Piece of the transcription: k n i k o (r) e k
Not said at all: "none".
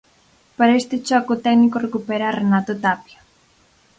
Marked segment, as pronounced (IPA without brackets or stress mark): r